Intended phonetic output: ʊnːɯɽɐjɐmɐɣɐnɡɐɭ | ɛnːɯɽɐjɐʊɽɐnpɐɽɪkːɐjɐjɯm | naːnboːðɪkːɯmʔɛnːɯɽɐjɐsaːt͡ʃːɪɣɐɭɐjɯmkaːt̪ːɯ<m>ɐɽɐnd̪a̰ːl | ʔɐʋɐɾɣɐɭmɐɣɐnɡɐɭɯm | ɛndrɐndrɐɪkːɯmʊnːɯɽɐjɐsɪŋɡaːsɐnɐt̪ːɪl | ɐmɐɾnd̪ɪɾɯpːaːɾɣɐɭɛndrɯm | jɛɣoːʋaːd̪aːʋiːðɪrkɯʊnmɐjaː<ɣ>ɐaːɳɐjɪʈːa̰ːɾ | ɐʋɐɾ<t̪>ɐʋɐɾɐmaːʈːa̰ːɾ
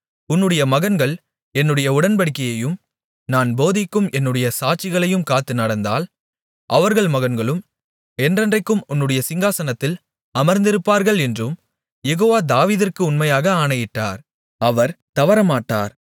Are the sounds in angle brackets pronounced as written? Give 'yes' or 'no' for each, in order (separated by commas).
no, yes, yes